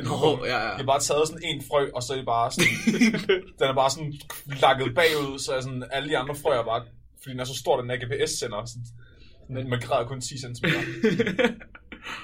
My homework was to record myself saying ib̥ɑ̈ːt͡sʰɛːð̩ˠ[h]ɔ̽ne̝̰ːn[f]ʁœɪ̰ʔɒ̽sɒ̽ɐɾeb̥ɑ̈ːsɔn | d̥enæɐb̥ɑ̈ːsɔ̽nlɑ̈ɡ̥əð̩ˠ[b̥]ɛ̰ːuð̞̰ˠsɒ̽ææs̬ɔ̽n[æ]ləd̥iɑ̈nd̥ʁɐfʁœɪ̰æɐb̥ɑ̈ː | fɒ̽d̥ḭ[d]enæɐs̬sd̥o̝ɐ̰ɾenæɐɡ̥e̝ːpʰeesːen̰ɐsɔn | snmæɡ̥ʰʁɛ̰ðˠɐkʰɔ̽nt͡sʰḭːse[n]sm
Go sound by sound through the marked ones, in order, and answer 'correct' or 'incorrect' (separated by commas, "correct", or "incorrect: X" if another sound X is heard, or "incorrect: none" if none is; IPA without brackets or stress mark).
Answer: incorrect: s, correct, correct, correct, correct, correct